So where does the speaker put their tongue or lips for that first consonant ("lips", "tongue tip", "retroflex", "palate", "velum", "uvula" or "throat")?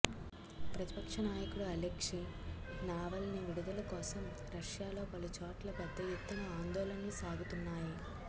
lips